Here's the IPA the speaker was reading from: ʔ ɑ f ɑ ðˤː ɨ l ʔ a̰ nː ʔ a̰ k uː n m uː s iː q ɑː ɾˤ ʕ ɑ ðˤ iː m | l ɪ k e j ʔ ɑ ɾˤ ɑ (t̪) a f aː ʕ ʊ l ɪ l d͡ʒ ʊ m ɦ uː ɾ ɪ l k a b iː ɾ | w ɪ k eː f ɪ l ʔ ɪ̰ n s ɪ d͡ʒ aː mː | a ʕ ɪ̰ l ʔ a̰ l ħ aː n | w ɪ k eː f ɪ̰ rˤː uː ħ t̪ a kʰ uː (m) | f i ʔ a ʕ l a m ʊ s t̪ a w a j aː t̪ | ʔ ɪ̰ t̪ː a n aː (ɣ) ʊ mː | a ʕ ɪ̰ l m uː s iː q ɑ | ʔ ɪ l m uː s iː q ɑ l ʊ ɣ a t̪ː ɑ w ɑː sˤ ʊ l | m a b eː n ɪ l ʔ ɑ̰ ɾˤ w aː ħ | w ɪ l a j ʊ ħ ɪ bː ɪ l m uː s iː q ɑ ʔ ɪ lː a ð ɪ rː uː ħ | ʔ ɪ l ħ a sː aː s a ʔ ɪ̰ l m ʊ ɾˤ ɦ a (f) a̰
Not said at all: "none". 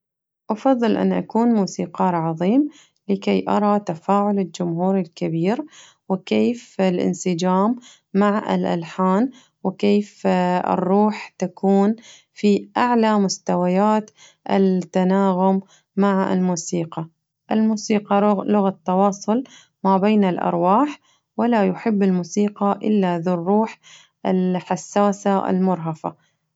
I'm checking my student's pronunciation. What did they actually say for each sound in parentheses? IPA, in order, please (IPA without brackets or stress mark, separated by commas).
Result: t̪, n, ɣ, f